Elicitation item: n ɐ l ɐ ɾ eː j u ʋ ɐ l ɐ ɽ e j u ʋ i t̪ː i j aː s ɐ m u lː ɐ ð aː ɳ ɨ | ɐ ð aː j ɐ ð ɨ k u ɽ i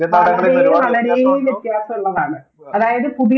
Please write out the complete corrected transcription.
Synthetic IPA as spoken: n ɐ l ɐ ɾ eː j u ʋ ɐ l ɐ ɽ e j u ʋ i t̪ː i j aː s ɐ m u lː ɐ ð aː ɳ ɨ | ɐ ð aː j ɐ ð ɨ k u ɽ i